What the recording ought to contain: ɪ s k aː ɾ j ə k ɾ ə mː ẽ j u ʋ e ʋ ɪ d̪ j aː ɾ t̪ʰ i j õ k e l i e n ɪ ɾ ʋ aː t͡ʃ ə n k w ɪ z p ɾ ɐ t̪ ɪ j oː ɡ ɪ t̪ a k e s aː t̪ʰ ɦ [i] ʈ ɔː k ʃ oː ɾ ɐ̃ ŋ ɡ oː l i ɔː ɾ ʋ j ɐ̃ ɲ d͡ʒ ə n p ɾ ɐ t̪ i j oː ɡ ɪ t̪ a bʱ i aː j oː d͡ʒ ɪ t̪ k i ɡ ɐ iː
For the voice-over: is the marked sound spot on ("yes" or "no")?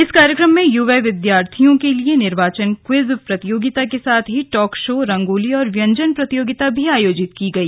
yes